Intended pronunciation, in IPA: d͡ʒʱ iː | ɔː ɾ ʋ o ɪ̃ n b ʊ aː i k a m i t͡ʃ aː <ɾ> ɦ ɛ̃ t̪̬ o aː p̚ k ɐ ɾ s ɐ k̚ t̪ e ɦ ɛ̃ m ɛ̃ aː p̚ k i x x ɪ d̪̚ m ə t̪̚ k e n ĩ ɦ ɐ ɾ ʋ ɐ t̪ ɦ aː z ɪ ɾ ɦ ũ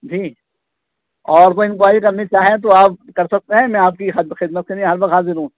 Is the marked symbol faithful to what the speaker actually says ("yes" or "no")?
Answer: no